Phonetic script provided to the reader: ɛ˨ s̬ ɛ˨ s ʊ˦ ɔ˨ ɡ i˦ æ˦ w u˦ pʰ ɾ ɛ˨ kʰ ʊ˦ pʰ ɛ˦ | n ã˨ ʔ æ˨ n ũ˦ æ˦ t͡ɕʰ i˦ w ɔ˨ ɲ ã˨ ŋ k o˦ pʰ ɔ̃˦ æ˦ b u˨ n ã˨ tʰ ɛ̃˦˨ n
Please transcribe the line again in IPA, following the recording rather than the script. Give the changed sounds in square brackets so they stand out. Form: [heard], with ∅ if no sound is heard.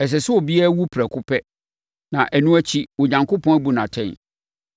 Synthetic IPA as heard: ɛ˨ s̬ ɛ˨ s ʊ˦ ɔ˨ [b] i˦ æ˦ w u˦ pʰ ɾ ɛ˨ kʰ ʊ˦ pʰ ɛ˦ | n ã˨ ʔ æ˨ n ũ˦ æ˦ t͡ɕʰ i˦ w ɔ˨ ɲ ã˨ ŋ k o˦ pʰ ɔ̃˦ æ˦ b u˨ n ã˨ tʰ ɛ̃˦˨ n

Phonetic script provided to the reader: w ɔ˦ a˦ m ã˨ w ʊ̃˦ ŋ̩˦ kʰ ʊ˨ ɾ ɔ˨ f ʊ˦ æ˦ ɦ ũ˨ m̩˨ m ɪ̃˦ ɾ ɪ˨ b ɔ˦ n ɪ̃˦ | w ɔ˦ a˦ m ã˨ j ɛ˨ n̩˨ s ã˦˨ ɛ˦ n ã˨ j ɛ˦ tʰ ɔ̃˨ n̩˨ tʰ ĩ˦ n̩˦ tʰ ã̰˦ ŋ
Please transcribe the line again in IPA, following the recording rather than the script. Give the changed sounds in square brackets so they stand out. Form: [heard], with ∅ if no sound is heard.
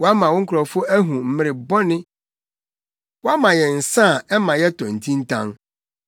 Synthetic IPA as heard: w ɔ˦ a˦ m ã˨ w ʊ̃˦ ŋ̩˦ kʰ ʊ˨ ɾ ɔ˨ f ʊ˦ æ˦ ɦ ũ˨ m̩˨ m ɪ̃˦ ɾ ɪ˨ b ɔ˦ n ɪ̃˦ | w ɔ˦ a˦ m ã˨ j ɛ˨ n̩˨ s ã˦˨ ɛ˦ [m] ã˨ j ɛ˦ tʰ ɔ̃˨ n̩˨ tʰ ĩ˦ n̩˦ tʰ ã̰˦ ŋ

